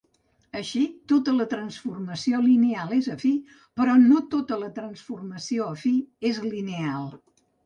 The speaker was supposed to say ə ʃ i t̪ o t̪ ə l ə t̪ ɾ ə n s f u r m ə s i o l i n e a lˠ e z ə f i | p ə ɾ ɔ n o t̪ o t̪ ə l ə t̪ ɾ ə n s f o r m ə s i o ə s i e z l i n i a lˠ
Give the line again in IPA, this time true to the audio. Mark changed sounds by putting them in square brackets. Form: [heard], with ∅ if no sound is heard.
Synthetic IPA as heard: ə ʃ i t̪ o t̪ ə l ə t̪ ɾ ə n s f u r m ə s i o l i n e a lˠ e z ə f i | p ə ɾ ɔ n o t̪ o t̪ ə l ə t̪ ɾ ə n s f [u] r m ə s i o ə [f] i e z l i n [e] a lˠ